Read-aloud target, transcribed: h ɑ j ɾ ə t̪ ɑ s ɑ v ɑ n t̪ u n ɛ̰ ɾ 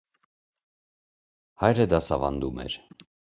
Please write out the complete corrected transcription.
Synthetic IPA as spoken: h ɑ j ɾ ə d̪ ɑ s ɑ v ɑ n d̪ u m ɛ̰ ɾ